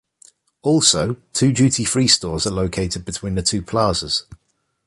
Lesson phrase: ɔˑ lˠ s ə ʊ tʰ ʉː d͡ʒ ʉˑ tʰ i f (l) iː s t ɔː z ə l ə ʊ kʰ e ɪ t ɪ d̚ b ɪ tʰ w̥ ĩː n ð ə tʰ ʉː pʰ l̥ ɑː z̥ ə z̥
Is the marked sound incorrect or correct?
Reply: incorrect